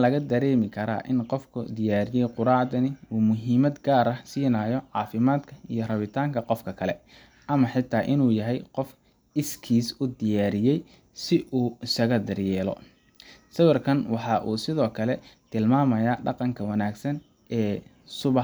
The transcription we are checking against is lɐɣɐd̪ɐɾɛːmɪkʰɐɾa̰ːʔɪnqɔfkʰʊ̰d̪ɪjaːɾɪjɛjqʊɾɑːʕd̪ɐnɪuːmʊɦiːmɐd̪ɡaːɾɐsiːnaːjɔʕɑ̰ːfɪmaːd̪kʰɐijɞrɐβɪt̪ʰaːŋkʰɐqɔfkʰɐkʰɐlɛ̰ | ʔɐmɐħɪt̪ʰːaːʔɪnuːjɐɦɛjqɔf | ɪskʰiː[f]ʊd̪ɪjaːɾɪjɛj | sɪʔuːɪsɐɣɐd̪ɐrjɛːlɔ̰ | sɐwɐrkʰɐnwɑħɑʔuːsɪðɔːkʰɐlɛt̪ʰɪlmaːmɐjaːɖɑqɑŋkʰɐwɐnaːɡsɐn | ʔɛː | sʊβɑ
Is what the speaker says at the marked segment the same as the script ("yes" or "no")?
no